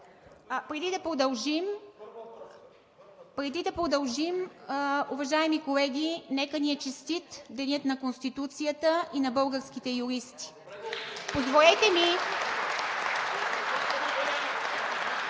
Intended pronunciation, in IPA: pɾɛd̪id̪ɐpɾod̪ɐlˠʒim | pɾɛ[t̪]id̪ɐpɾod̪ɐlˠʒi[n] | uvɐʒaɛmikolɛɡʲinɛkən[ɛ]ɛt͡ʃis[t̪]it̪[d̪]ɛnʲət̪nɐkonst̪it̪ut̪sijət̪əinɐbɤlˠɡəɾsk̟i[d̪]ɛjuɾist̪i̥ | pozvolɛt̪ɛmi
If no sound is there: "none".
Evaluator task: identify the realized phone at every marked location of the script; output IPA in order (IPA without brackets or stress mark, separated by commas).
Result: d̪, m, i, t̪, d̪, t̪